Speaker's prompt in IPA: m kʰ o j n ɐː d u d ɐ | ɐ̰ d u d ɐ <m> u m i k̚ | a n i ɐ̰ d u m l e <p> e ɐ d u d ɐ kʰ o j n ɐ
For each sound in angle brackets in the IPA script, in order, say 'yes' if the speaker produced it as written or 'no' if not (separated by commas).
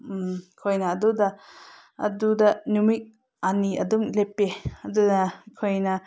no, yes